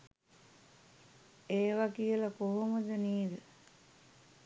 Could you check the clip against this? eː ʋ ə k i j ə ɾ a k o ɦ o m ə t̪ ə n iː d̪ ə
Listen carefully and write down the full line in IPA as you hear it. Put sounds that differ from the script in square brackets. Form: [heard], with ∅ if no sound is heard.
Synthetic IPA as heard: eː ʋ [a] k i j ə [l] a k o ɦ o m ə [d̪] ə n iː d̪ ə